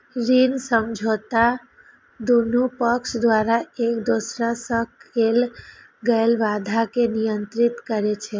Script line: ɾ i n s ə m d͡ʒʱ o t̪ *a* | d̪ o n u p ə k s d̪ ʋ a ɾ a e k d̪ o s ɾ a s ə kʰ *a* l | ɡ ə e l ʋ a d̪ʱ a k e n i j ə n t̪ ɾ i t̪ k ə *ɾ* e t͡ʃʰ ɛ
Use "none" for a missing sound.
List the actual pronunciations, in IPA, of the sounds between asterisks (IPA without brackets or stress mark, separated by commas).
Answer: a, e, ɾ